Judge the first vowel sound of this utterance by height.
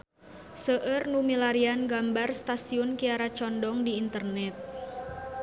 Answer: mid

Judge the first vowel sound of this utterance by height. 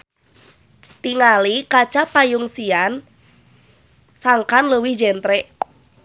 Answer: high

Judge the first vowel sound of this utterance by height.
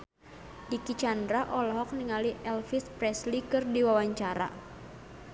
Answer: high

